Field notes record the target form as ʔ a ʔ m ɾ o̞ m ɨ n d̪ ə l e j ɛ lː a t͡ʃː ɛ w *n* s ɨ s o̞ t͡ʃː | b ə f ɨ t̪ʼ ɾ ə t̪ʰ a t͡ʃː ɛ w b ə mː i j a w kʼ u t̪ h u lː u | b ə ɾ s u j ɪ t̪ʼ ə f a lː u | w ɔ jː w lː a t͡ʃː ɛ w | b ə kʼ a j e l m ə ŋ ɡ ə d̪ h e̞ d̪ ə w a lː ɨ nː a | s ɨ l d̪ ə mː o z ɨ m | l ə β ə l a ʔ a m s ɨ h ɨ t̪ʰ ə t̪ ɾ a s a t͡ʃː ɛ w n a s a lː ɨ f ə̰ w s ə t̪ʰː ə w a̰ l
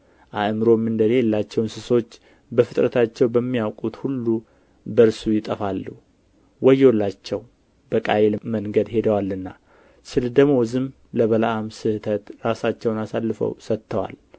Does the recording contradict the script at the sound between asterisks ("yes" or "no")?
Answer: no